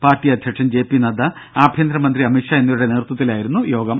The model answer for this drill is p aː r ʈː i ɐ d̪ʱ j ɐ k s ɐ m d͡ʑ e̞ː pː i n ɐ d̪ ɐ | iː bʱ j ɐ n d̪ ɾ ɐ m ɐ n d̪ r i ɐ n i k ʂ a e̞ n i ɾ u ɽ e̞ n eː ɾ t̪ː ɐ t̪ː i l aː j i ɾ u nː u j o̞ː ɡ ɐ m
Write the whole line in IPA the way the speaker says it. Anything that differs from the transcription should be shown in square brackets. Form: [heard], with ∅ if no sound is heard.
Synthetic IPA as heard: p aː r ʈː i ɐ d̪ʱ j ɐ k [ʂ] ɐ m d͡ʑ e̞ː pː i n ɐ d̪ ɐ | [aː] bʱ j ɐ n d̪ ɾ ɐ m ɐ n d̪ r i ɐ [m] i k ʂ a e̞ [nː] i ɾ u ɽ e̞ n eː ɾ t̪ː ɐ t̪ː i l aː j i ɾ u nː u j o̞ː ɡ ɐ m

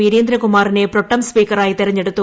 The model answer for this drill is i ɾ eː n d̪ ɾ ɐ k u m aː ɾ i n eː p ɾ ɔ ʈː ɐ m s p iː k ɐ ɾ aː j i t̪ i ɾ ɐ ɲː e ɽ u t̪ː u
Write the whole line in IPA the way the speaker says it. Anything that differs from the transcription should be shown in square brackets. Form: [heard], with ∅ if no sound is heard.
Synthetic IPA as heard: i ɾ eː n d̪ ɾ ɐ k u m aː ɾ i n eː p ɾ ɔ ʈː ɐ m s p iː k ɐ ɾ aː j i t̪ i ɾ ɐ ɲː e ɽ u t̪ː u

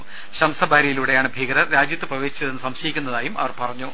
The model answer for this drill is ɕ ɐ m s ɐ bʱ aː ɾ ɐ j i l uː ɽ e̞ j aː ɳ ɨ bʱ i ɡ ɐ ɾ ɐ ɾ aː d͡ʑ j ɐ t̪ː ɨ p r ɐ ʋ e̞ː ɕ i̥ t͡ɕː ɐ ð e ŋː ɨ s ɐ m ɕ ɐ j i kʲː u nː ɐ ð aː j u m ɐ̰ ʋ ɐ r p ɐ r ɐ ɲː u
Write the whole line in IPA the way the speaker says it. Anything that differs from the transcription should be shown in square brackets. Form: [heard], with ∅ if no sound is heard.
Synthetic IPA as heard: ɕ ɐ m s ɐ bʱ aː ɾ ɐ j i l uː ɽ e̞ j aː ɳ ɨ bʱ i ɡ ɐ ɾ ɐ ɾ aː d͡ʑ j ɐ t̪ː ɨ p r ɐ ʋ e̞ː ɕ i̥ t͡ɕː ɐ ð e [nː] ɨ s ɐ m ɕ ɐ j i kʲː u nː ɐ ð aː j u m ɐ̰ ʋ ɐ r p ɐ r ɐ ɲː u

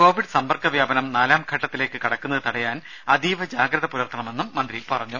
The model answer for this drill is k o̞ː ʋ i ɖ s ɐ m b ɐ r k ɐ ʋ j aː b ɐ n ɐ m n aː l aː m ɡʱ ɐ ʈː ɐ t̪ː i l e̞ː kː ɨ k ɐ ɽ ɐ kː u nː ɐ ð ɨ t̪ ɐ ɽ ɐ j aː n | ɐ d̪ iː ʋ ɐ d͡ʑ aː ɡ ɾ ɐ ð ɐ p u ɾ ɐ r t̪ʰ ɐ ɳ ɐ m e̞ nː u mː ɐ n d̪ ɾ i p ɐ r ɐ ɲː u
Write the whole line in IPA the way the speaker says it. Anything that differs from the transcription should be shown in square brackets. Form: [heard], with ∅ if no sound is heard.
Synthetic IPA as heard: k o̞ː ʋ i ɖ s ɐ m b ɐ r k ɐ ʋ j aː b ɐ n ɐ m n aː l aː m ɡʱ ɐ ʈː ɐ t̪ː i l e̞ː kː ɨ k ɐ ɽ ɐ kː u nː ɐ ð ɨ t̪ ɐ ɽ ɐ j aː n | ɐ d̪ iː ʋ ɐ d͡ʑ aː ɡ ɾ ɐ ð ɐ p u ɾ ɐ r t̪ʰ ɐ ɳ ɐ m e̞ nː u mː ɐ n d̪ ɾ i p ɐ r ɐ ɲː u

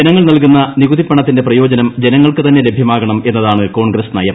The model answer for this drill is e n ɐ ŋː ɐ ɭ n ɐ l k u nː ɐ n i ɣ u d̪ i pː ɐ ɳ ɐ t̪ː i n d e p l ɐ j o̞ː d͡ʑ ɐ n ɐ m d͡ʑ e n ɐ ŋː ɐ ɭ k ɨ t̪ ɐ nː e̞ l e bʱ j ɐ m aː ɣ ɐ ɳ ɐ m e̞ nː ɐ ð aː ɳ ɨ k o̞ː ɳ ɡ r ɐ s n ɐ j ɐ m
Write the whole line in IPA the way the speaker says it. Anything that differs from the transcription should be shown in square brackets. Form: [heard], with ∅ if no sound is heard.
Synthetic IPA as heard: e n ɐ ŋː ɐ ɭ n ɐ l k u nː ɐ n i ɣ u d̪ i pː ɐ ɳ ɐ t̪ː i n d e p [r] ɐ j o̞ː d͡ʑ ɐ n ɐ m d͡ʑ e n ɐ ŋː ɐ ɭ k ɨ t̪ ɐ nː e̞ l e bʱ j ɐ m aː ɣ ɐ ɳ ɐ m e̞ nː ɐ ð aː ɳ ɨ k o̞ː ɳ ɡ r ɐ s n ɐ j ɐ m

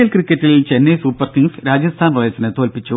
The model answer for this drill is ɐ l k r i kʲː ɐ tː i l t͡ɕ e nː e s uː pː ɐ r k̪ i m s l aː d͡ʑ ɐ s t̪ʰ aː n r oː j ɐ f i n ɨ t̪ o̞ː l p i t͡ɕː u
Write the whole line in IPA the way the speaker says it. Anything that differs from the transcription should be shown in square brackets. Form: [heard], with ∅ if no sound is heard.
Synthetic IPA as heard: ɐ l k r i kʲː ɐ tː i l t͡ɕ e nː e s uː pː ɐ r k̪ i [ŋ] s [ɾ] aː d͡ʑ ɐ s t̪ʰ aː n r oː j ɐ [s] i n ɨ t̪ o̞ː l p i t͡ɕː u

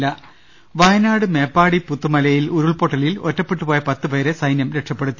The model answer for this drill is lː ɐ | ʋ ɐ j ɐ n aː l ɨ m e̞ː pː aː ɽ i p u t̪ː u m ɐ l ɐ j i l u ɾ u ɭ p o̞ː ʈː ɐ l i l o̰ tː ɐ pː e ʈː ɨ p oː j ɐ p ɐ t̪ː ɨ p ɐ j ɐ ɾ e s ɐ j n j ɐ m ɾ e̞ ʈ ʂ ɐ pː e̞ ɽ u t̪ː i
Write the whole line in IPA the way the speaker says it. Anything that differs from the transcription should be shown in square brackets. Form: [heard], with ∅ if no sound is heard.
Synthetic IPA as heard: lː ɐ | ʋ ɐ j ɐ n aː [ɽ] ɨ m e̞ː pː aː ɽ i p u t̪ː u m ɐ l ɐ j i l u ɾ u ɭ p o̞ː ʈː ɐ l i l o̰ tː ɐ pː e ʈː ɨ p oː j ɐ p ɐ t̪ː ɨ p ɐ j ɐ ɾ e s ɐ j n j ɐ m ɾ e̞ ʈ ʂ ɐ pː e̞ ɽ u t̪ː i

